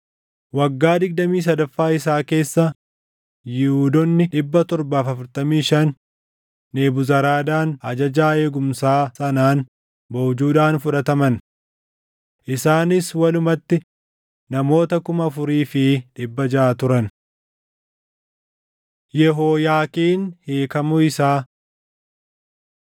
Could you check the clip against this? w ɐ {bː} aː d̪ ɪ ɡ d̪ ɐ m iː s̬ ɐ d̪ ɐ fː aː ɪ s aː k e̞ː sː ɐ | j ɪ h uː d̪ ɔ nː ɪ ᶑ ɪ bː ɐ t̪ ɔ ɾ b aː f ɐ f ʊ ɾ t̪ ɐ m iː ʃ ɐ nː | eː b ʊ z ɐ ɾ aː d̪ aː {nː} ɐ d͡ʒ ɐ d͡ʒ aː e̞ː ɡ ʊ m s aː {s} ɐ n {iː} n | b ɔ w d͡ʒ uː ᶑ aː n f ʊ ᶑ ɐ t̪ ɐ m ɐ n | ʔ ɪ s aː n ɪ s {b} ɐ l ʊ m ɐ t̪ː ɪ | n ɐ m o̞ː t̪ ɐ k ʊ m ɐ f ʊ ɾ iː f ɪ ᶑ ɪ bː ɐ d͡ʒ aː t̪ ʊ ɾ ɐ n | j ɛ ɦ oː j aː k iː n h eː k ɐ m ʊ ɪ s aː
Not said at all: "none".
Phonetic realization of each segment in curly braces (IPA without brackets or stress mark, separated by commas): ɡː, n, s, aː, w